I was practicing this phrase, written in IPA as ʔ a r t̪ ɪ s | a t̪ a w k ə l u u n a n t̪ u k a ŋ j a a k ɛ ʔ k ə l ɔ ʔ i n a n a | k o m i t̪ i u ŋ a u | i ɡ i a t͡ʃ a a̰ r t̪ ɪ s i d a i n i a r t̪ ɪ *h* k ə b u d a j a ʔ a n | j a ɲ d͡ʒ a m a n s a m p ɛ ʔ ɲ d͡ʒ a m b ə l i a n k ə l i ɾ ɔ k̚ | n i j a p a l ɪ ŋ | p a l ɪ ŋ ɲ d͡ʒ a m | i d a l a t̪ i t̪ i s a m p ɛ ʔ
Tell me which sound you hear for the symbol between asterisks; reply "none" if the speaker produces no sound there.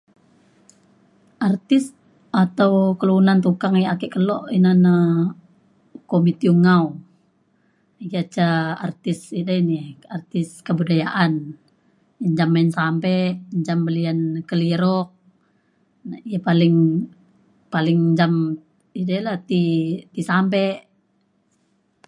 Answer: s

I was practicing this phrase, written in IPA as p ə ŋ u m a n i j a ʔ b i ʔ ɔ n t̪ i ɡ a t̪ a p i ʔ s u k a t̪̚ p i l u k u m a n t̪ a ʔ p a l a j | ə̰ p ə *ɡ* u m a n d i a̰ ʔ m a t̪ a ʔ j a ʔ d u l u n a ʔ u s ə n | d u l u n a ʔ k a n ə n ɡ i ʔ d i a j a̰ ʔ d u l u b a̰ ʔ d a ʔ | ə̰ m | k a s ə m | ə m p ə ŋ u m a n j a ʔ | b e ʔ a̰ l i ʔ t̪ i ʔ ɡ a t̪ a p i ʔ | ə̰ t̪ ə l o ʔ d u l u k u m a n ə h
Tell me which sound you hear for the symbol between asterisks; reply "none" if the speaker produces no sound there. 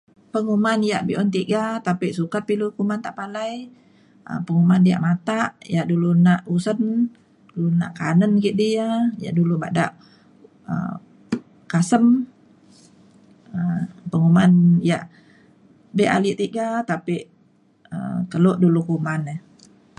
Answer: ŋ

